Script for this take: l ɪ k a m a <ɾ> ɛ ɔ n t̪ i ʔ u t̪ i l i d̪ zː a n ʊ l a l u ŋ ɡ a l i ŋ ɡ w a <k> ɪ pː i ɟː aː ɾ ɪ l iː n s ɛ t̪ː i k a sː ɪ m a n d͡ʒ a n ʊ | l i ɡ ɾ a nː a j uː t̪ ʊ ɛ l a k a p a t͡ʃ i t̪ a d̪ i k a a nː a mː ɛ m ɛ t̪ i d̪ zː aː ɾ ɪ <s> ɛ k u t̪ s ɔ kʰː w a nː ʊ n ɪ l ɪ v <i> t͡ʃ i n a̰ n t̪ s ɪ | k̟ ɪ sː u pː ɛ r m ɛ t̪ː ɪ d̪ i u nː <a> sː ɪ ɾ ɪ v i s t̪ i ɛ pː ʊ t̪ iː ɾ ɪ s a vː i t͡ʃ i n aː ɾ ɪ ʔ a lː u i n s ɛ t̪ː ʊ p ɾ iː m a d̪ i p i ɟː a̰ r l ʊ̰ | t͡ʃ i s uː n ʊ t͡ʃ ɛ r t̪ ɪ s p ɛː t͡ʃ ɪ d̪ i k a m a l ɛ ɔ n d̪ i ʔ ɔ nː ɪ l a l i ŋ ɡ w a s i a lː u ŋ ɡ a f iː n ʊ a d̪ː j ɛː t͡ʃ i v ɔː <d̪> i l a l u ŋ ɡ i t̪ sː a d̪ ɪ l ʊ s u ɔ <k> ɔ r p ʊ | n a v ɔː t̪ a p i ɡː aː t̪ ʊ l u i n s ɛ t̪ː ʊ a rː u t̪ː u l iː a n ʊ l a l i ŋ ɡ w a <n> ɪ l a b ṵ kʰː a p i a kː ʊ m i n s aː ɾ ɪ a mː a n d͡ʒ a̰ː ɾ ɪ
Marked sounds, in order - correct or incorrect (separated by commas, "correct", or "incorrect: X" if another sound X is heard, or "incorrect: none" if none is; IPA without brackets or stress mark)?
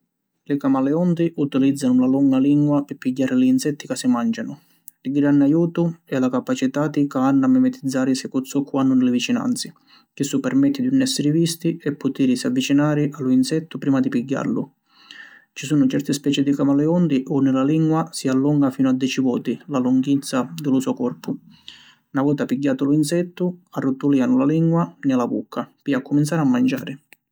incorrect: l, incorrect: p, correct, correct, incorrect: ɛ, incorrect: t̪, correct, correct